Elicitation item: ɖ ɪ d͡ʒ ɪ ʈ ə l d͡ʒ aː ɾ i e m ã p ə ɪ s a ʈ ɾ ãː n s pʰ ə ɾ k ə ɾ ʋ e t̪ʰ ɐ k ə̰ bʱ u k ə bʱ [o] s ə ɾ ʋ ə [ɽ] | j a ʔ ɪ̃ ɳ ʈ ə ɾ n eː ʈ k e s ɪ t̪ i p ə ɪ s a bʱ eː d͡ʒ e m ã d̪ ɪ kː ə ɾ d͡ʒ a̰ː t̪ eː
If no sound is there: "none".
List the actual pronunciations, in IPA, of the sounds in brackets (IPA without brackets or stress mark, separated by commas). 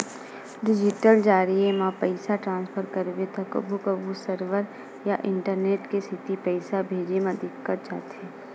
u, ɾ